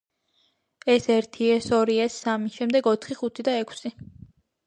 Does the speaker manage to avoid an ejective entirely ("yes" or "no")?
yes